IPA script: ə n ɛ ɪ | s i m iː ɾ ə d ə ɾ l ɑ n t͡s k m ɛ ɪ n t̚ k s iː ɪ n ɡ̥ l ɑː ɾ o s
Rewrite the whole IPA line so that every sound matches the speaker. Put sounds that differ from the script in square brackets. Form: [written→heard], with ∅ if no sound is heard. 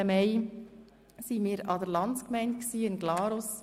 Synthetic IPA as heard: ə [n→m] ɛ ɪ | s i m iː ɾ [ə→ɑ] d ə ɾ l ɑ n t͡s k m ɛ ɪ n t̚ k s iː ɪ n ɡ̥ l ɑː ɾ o s